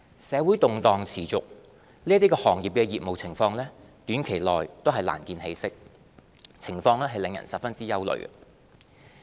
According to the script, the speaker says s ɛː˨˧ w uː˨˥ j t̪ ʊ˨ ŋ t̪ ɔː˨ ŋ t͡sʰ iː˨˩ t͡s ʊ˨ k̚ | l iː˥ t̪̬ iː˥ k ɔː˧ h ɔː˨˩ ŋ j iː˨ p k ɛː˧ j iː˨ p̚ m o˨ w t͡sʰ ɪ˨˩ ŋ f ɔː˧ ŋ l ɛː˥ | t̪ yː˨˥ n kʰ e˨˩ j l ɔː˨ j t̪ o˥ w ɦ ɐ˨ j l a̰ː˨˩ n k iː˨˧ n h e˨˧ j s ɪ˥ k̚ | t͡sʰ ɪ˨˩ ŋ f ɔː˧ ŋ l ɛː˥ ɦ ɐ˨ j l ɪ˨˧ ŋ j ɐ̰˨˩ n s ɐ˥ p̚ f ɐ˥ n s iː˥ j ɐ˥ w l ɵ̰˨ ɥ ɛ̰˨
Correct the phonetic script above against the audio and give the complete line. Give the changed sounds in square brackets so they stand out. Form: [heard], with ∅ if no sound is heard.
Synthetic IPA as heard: s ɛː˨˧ w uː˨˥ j t̪ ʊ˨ ŋ t̪ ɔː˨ ŋ t͡sʰ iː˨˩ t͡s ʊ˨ k̚ | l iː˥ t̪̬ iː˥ k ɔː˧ h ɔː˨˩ ŋ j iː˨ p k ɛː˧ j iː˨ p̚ m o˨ w t͡sʰ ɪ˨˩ ŋ f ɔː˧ ŋ l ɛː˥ | t̪ yː˨˥ n kʰ e˨˩ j l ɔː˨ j t̪ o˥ w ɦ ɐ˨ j l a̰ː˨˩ n k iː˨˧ n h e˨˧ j s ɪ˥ k̚ | t͡sʰ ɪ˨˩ ŋ f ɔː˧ ŋ l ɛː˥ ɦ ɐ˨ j l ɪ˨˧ ŋ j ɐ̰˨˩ n s [ɐ˨] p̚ f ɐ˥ n [t͡s] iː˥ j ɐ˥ w l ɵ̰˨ ɥ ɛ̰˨